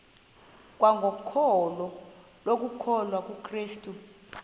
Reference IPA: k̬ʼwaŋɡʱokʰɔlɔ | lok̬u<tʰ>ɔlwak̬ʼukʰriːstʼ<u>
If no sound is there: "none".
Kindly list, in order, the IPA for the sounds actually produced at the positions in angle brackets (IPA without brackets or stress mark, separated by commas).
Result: kʰ, u